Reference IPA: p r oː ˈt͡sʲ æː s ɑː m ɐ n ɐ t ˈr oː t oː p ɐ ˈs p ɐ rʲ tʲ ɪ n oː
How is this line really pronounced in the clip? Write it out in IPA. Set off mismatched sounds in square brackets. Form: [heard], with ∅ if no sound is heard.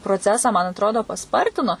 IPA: p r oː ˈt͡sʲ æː s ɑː m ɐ n ɐ t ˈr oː [d] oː p ɐ ˈs p ɐ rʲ tʲ ɪ n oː

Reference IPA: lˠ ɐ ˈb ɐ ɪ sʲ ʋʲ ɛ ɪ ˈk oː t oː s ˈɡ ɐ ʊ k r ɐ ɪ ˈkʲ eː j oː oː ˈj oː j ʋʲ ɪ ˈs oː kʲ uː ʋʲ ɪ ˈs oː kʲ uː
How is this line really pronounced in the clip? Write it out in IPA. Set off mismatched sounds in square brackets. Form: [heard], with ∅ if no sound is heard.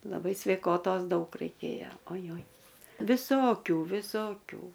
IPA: lˠ ɐ ˈb ɐ ɪ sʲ ʋʲ ɛ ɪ ˈk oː t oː s [ˈd] ɐ ʊ k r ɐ ɪ ˈkʲ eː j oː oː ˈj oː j ʋʲ ɪ ˈs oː kʲ uː ʋʲ ɪ ˈs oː kʲ uː

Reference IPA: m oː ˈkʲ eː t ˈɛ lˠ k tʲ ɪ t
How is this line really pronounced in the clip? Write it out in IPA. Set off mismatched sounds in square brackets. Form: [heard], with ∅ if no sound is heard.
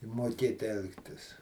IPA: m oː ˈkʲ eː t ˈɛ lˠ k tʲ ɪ [s]

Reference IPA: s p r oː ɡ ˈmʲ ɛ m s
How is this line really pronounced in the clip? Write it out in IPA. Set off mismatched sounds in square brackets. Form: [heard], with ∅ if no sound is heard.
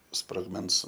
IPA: s p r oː ɡ ˈmʲ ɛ [n] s

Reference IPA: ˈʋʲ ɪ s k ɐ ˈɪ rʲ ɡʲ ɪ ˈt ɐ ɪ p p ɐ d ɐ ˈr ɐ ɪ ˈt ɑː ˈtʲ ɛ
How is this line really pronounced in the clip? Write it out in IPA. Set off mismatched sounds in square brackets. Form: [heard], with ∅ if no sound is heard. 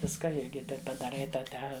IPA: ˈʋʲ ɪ s k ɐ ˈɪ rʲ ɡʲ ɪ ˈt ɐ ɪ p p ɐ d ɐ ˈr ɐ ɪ ˈt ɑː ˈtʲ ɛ

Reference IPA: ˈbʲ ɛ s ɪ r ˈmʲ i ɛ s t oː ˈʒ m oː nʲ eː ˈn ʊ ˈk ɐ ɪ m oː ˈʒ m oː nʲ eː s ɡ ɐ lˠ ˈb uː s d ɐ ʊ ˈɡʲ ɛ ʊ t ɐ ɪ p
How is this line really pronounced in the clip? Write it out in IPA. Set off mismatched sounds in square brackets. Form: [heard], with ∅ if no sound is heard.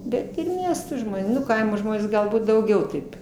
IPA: ˈbʲ ɛ [t] ɪ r ˈmʲ i ɛ s t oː ˈʒ m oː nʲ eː ˈn ʊ ˈk ɐ ɪ m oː ˈʒ m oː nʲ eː s ɡ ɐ lˠ ˈb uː [t] d ɐ ʊ ˈɡʲ ɛ ʊ t ɐ ɪ p

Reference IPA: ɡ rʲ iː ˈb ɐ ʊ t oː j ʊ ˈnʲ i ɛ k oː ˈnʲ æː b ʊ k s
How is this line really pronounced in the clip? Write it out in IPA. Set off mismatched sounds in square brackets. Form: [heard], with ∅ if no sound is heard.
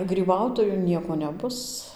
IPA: ɡ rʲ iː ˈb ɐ ʊ t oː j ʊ ˈnʲ i ɛ k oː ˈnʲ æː b ʊ [∅] s

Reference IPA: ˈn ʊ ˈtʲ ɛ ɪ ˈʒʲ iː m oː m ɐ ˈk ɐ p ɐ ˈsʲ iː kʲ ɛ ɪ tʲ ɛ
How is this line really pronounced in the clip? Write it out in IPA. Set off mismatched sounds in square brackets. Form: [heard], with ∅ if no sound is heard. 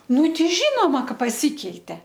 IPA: ˈn ʊ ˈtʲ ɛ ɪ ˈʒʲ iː [n] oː m ɐ ˈk ɐ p ɐ ˈsʲ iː kʲ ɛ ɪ tʲ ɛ

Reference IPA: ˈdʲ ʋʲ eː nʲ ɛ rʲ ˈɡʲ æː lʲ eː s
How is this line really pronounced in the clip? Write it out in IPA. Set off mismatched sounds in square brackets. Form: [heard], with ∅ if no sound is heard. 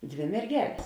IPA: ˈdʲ ʋʲ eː [mʲ] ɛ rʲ ˈɡʲ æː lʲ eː s

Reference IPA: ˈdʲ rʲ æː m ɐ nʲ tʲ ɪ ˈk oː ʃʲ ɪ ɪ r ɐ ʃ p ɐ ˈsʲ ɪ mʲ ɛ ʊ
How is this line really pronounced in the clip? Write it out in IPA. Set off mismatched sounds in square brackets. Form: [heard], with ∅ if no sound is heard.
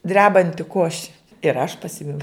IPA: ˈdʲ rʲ æː [b] ɐ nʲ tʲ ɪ ˈk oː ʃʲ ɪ ɪ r ɐ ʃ p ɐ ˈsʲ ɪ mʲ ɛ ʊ

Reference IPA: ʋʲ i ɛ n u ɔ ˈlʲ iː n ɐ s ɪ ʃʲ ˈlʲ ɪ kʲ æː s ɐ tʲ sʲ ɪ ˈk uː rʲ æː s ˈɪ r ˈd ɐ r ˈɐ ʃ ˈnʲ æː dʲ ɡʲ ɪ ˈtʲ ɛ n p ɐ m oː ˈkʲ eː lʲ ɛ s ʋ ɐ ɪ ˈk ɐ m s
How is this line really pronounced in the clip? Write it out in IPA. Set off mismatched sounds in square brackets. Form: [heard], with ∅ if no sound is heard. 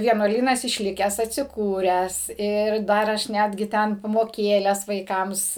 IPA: ʋʲ i ɛ n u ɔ ˈlʲ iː n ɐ s ɪ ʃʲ ˈlʲ ɪ kʲ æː s ɐ tʲ sʲ ɪ ˈk uː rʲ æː s ˈɪ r ˈd ɐ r ˈɐ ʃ ˈnʲ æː dʲ ɡʲ ɪ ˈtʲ ɛ n p ɐ m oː ˈkʲ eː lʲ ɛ s ʋ ɐ ɪ ˈk ɐ m s

